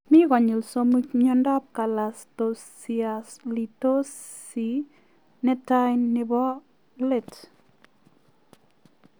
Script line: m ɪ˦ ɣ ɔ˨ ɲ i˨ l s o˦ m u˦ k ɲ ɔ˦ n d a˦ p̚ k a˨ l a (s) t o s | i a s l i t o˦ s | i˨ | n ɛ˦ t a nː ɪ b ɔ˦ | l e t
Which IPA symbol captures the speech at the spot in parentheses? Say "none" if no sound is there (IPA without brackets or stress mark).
s